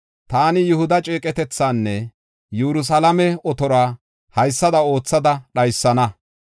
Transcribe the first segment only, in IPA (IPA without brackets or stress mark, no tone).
t̪